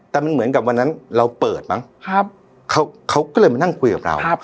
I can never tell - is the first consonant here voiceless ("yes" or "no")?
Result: yes